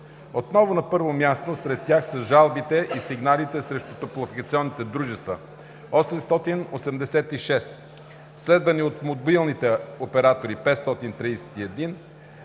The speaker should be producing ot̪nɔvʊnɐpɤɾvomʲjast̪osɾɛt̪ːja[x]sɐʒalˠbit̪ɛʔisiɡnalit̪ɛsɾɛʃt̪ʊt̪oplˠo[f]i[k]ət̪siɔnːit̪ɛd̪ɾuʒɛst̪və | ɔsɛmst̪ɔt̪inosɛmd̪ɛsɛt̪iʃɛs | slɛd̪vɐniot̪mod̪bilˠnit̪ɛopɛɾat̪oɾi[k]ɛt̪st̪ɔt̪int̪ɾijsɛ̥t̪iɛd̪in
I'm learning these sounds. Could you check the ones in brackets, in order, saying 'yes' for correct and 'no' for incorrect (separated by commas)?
yes, yes, yes, no